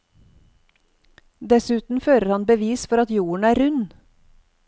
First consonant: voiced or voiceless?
voiced